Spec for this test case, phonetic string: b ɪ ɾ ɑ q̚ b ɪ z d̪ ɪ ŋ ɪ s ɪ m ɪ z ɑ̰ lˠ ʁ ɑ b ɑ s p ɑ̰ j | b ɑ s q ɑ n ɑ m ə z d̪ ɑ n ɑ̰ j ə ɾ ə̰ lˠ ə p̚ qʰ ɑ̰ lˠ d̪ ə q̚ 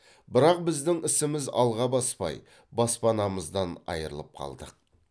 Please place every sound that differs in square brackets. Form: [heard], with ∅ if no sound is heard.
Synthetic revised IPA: b ɪ ɾ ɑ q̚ b ɪ z d̪ ɪ ŋ ɪ s ɪ m ɪ z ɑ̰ lˠ ʁ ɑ b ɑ s p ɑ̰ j | b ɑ s [p] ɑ n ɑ m ə z d̪ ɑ n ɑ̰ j ə ɾ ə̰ lˠ ə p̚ qʰ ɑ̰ lˠ d̪ ə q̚